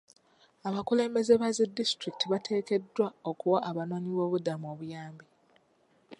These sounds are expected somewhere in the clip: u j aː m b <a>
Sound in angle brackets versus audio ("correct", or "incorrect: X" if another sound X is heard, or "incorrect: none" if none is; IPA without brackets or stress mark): incorrect: i